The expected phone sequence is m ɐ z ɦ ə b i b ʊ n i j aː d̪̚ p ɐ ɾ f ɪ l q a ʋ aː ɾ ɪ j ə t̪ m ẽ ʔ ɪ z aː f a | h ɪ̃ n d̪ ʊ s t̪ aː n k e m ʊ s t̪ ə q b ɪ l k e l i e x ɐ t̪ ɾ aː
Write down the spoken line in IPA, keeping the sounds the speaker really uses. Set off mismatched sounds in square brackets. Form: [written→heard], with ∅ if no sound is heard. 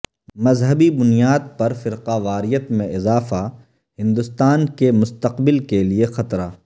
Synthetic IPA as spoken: m ɐ z ɦ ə b i b ʊ n i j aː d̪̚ p ɐ ɾ f ɪ [l→ɾ] q a ʋ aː ɾ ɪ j ə t̪ m ẽ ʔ ɪ z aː f a | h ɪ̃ n d̪ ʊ s t̪ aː n k e m ʊ s t̪ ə q b ɪ l k e l i e x ɐ t̪ ɾ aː